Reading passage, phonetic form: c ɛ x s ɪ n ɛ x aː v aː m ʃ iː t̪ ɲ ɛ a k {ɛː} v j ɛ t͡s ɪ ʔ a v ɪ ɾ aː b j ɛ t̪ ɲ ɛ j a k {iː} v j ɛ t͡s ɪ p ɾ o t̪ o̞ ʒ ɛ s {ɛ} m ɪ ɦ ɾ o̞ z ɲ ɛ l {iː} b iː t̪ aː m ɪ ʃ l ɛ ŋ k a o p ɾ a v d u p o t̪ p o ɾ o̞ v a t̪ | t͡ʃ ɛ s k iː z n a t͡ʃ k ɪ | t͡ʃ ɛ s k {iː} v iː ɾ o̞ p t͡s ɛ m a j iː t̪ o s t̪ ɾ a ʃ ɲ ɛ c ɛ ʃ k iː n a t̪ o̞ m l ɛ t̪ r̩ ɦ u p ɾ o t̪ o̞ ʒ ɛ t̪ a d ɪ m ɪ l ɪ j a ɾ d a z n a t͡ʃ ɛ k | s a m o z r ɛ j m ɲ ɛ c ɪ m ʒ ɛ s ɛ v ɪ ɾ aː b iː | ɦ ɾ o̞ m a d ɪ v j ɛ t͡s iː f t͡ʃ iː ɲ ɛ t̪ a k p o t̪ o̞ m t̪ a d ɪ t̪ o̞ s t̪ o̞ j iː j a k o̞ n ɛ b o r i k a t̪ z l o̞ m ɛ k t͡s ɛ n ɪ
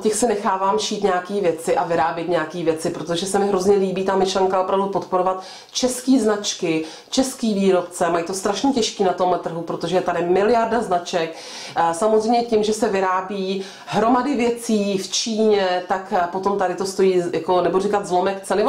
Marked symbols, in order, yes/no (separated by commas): no, yes, yes, yes, yes